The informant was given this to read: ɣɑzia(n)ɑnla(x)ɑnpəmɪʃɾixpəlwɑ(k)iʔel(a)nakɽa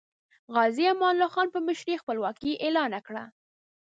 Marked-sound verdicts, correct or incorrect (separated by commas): incorrect, correct, correct, incorrect